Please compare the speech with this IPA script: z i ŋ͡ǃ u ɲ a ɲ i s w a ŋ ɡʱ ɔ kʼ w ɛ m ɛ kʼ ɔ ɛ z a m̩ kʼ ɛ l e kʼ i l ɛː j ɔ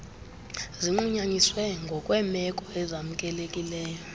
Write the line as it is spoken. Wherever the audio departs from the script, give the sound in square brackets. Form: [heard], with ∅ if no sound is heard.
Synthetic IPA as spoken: z i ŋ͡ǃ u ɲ a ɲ i s w [ɛ] ŋ ɡʱ ɔ kʼ w ɛ m ɛ kʼ ɔ ɛ z a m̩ kʼ ɛ l e kʼ i l ɛː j ɔ